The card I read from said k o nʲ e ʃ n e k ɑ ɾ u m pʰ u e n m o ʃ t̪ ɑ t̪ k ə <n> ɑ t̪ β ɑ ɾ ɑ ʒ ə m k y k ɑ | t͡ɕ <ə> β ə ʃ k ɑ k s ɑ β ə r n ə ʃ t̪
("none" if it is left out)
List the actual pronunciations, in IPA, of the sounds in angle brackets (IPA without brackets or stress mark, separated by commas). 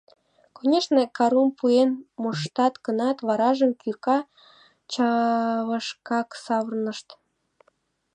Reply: n, ɑ